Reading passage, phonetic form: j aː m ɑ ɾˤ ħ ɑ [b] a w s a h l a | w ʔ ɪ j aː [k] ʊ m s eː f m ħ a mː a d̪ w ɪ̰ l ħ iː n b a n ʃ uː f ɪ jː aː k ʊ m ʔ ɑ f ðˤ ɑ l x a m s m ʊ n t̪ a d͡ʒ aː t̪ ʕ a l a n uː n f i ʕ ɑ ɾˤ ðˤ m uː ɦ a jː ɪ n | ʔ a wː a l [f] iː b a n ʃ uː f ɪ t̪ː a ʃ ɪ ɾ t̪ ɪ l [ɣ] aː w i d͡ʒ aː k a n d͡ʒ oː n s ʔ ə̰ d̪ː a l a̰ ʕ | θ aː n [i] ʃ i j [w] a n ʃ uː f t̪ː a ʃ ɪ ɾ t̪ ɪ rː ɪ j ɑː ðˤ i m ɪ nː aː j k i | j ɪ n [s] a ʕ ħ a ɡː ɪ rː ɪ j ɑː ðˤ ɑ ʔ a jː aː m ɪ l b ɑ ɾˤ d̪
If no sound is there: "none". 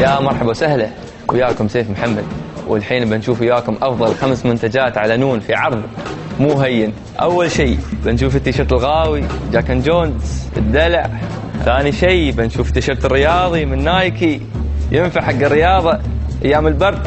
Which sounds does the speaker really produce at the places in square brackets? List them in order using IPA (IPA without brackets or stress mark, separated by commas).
b, k, ʃ, ɣ, i, b, f